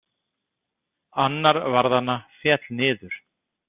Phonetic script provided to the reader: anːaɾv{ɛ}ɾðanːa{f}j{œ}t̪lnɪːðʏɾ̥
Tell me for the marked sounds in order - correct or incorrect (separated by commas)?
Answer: incorrect, correct, incorrect